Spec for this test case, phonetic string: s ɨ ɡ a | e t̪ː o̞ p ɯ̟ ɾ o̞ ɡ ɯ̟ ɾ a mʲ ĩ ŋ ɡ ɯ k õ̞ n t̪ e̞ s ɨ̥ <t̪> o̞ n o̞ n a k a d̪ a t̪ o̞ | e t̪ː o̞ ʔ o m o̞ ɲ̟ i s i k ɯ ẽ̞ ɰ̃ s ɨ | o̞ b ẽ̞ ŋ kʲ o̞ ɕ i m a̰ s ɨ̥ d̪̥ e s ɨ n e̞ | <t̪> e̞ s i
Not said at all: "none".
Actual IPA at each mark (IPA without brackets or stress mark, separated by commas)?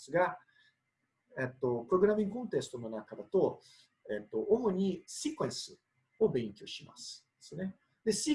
t̪, d̪